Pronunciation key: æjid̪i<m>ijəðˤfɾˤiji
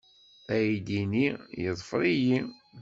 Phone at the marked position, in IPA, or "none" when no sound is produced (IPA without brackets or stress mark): n